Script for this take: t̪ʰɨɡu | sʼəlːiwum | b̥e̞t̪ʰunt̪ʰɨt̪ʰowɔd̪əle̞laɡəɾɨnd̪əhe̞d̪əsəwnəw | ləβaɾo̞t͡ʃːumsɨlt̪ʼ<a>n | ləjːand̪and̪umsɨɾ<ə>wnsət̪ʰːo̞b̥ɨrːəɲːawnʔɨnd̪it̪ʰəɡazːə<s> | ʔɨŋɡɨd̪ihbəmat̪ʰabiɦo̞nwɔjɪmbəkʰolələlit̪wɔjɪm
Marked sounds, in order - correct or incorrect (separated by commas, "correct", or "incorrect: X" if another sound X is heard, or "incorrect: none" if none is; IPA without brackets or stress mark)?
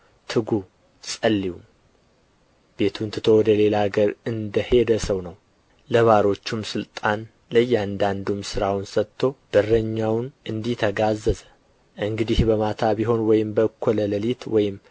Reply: correct, incorrect: a, incorrect: z